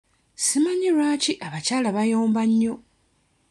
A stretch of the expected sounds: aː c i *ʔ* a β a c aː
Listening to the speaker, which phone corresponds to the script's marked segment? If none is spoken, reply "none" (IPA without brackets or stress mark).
ʔ